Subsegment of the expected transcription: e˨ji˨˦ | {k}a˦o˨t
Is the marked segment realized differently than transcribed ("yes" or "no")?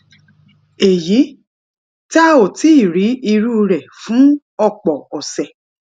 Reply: yes